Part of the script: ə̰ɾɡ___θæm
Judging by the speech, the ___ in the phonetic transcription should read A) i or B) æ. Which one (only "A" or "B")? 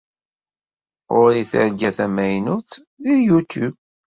B